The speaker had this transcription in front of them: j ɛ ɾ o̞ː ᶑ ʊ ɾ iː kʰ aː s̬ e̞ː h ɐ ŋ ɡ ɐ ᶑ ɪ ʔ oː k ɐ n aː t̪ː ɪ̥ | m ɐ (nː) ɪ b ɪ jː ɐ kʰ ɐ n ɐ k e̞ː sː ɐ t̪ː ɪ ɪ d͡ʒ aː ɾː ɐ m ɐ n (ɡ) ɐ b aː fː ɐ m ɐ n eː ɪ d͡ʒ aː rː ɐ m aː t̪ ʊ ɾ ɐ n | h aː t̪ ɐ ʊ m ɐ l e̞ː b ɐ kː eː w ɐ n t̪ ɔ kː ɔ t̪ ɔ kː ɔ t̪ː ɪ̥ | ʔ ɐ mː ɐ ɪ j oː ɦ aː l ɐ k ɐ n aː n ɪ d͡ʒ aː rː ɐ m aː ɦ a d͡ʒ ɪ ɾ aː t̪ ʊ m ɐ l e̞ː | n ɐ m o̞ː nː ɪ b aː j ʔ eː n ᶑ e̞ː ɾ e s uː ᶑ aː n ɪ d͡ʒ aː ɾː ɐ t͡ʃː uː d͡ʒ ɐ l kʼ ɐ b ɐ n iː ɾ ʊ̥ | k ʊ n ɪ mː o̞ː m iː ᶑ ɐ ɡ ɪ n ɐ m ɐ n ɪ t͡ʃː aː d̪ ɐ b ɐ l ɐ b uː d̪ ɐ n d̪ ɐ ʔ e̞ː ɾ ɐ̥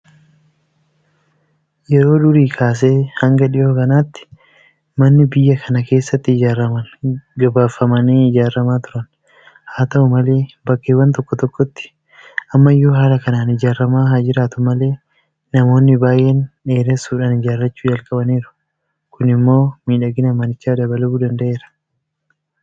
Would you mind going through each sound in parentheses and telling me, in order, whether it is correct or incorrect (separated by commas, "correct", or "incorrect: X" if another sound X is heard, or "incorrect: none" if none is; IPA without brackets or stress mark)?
correct, correct